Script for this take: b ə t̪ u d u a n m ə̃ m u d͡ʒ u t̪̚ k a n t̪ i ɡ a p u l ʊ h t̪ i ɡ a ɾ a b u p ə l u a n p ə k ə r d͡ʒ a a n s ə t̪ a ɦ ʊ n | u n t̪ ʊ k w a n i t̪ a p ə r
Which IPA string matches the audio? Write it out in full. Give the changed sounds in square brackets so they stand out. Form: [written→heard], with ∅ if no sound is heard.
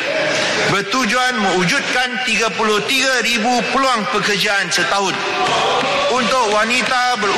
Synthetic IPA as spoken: b ə t̪ u [d→d͡ʒ] u a n m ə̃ [m→∅] u d͡ʒ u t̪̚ k a n t̪ i ɡ a p u l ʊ h t̪ i ɡ a ɾ [a→i] b u p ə l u a [n→ŋ] p ə k ə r d͡ʒ a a n s ə t̪ a ɦ ʊ n | u n t̪ ʊ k w a n i t̪ a [p→b] ə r